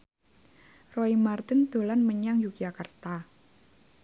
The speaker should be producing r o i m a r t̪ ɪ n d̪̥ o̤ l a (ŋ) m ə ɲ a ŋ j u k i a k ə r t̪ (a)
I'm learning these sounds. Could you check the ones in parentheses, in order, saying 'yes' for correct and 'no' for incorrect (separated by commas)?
no, yes